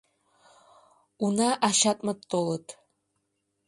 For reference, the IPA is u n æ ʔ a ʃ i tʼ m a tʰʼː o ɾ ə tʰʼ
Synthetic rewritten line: u n a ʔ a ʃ a tʼ m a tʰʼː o l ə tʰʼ